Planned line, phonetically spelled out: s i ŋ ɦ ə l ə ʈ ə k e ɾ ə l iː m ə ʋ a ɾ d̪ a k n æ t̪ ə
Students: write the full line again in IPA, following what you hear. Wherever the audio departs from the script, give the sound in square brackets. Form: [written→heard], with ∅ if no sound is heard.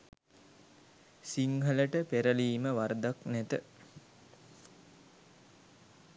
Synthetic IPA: s i ŋ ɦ ə l ə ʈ ə [k→p] e ɾ ə l iː m ə ʋ a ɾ d̪ a k n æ t̪ ə